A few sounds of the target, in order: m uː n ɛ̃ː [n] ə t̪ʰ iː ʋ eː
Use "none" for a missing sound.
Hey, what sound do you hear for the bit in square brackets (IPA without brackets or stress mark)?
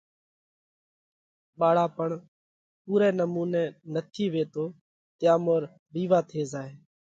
n